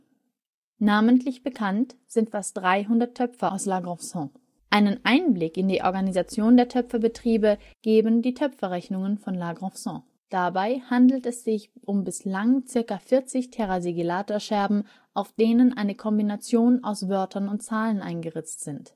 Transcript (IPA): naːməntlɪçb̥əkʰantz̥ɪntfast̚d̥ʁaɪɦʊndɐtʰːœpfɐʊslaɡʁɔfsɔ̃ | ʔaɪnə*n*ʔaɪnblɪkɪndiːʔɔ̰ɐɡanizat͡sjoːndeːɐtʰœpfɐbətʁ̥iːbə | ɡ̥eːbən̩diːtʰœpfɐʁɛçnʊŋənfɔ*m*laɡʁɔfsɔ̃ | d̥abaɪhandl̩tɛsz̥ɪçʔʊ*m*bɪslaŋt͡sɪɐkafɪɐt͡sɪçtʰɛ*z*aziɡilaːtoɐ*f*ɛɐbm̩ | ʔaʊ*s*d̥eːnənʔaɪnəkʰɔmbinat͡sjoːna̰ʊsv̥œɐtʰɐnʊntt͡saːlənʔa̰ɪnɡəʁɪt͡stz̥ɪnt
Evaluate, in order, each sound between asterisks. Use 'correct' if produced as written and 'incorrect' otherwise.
correct, incorrect: n, correct, incorrect: ʁ, incorrect: ʃ, incorrect: f

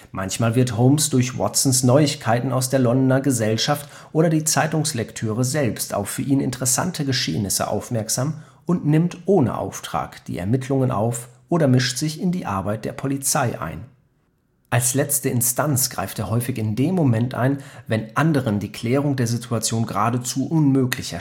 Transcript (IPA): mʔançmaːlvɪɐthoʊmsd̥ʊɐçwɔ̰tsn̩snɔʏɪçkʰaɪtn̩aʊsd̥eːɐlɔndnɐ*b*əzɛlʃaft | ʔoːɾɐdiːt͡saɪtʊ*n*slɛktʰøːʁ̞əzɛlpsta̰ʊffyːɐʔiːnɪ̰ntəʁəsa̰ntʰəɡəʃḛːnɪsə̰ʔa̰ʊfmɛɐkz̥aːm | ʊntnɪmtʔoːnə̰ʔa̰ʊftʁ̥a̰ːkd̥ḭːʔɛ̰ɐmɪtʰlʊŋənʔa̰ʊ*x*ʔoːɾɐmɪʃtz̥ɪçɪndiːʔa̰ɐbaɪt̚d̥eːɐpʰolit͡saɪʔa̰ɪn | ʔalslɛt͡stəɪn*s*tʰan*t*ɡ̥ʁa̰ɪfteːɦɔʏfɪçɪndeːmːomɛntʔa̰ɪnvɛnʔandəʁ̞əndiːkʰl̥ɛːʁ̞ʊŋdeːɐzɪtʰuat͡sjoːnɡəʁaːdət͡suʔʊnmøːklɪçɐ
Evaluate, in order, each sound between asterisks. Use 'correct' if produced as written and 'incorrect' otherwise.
incorrect: ɡ, incorrect: ŋ, incorrect: f, correct, incorrect: t͡s

